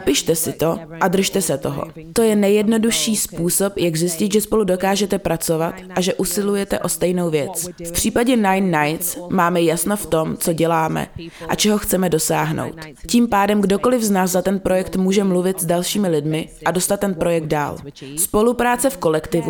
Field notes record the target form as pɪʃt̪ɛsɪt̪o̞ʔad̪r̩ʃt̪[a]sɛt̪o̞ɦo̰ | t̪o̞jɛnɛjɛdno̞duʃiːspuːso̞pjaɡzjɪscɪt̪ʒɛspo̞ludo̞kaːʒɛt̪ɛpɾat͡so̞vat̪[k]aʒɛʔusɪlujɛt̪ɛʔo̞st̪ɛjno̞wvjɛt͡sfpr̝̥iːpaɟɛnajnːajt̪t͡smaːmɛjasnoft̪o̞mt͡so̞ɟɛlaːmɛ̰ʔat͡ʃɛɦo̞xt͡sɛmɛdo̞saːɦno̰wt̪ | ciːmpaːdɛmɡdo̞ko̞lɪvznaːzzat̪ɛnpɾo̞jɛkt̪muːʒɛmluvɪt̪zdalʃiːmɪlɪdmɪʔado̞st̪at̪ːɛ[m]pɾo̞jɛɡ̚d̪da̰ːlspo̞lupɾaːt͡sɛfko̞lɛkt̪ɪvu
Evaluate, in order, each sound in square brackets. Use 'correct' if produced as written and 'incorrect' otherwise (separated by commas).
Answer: incorrect, incorrect, incorrect